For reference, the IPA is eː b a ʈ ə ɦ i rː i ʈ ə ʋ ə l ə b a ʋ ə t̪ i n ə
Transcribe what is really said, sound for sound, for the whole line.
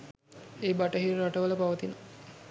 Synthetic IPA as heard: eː b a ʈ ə ɦ i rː a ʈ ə ʋ ə l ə p a ʋ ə t̪ i n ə